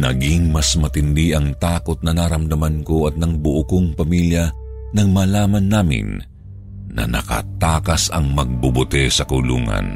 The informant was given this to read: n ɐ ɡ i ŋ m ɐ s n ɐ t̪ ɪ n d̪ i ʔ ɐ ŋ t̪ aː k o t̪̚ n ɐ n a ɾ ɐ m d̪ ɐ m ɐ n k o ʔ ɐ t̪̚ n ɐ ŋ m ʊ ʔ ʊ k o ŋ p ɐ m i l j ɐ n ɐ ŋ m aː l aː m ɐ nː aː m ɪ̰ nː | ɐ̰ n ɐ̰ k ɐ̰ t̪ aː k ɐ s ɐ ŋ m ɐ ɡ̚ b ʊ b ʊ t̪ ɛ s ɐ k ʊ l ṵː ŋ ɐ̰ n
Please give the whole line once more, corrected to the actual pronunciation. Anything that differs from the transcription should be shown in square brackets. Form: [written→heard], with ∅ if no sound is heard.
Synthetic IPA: n ɐ ɡ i ŋ m ɐ s [n→m] ɐ t̪ ɪ n d̪ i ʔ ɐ ŋ t̪ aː k o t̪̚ n ɐ n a ɾ ɐ m d̪ ɐ m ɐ n k o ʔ ɐ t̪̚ n ɐ ŋ [m→b] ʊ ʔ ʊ k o ŋ p ɐ m i l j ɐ n ɐ ŋ m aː l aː m ɐ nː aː m ɪ̰ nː | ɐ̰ n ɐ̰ k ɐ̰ t̪ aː k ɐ s ɐ ŋ m ɐ ɡ̚ b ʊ b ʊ t̪ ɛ s ɐ k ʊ l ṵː ŋ ɐ̰ n